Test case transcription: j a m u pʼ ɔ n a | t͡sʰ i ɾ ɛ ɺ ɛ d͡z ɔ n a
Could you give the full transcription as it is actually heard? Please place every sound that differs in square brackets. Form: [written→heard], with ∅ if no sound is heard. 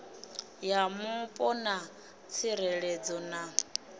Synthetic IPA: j a m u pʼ ɔ n a | t͡sʰ i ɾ ɛ ɺ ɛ d͡z ɔ n a